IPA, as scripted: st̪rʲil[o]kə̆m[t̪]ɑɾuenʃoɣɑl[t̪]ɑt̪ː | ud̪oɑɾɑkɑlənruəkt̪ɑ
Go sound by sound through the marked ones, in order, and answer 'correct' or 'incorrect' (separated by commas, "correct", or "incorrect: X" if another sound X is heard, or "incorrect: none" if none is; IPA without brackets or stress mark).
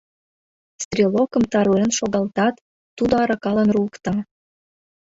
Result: correct, correct, correct